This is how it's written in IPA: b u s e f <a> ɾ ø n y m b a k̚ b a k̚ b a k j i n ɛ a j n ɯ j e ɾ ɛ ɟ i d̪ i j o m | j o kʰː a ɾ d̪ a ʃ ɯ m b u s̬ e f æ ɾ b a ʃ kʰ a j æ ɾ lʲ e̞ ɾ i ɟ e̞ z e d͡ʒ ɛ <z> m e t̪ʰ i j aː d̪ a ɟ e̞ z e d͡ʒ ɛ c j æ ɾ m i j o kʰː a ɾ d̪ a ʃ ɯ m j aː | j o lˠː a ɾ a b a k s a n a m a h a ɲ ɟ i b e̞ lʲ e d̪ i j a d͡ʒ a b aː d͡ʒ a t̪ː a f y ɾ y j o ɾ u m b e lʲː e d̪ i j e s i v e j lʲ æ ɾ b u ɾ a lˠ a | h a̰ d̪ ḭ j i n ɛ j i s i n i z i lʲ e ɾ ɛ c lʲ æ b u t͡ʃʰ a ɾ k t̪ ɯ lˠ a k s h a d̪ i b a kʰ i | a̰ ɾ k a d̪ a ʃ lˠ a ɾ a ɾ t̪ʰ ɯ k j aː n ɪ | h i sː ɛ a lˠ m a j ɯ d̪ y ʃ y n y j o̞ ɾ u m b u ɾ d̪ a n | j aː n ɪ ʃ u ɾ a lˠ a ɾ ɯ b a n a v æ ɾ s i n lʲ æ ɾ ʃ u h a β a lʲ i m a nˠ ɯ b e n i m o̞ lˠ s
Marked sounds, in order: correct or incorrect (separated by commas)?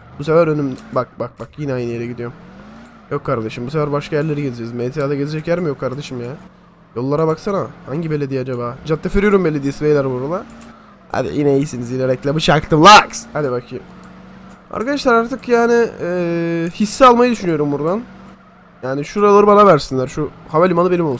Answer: incorrect, correct